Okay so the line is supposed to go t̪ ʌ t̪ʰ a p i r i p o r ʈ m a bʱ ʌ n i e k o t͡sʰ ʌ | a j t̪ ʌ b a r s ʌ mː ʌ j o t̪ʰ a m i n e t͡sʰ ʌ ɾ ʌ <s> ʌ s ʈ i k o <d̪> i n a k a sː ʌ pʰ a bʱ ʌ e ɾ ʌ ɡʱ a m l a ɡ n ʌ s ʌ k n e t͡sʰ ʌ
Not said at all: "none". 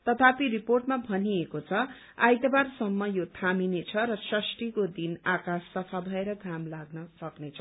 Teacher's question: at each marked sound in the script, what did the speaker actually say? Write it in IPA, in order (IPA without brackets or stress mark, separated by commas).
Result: s, d̪